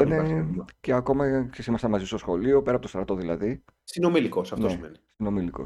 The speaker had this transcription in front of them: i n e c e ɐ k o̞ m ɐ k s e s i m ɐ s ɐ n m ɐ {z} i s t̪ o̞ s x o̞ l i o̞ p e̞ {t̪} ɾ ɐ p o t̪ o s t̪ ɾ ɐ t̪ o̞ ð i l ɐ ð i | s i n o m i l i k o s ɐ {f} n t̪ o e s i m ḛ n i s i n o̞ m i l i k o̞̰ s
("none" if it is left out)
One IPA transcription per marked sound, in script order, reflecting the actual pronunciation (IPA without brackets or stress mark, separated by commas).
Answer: z, none, f